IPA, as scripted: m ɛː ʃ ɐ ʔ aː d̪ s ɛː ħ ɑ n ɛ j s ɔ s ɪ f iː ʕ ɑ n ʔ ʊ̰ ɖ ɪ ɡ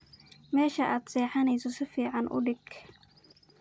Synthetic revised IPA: m ɛː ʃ ɐ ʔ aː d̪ s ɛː ħ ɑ n ɛ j s ɔ s ɪ f iː ʕ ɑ n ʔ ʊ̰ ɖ ɪ ɡ